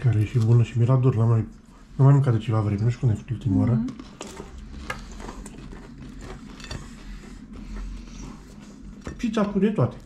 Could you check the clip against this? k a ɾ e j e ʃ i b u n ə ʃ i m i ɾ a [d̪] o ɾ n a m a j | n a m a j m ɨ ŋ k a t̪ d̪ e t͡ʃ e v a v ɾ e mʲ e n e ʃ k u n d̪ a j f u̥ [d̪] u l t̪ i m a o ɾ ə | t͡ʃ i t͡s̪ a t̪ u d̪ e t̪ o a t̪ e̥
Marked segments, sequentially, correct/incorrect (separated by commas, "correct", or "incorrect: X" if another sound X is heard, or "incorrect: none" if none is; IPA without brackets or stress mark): correct, incorrect: t̪